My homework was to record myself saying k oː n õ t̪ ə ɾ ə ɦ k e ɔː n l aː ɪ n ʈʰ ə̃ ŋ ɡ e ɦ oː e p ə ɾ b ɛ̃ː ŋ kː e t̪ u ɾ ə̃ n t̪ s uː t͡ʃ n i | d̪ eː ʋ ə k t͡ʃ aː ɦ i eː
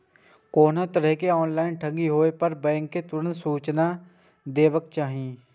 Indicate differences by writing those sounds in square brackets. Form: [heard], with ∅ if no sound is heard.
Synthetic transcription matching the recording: k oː n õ t̪ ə ɾ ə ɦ k e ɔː n l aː ɪ n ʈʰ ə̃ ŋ ɡ [i] ɦ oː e p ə ɾ b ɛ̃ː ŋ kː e t̪ [ʊ] ɾ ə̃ n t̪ s uː t͡ʃ n [a] | d̪ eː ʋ ə k t͡ʃ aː ɦ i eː